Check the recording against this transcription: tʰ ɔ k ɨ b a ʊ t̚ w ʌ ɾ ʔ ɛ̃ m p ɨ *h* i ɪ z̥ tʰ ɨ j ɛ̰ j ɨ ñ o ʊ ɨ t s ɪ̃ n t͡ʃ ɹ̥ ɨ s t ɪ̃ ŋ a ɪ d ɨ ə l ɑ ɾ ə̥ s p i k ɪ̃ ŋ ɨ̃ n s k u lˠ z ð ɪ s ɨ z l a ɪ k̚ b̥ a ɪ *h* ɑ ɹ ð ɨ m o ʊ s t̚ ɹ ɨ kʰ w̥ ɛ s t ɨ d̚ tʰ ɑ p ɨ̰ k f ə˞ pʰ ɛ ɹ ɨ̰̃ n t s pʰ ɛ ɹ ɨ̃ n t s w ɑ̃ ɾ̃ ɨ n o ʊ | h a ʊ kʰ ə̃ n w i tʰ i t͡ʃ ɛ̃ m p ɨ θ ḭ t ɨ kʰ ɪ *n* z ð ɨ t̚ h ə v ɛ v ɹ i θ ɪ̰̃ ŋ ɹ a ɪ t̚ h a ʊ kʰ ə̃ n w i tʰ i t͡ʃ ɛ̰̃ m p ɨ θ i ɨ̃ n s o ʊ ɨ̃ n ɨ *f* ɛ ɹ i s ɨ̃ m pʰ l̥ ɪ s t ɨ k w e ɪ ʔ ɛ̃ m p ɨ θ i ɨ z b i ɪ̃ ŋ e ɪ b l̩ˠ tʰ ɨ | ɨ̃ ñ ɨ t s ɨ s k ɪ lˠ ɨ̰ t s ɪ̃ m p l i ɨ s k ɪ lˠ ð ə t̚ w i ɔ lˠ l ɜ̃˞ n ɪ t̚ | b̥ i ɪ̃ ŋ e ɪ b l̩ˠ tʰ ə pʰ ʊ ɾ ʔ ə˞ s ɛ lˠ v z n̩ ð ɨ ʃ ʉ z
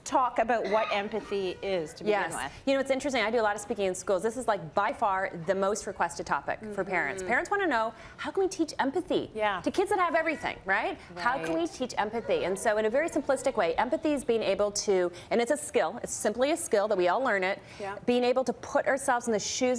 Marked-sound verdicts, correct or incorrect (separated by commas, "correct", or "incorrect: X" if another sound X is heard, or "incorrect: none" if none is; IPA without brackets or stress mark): incorrect: θ, incorrect: f, incorrect: d, incorrect: v